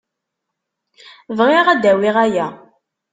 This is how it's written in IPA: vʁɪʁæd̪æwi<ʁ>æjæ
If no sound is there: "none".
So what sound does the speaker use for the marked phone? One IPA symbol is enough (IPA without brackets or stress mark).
ʁ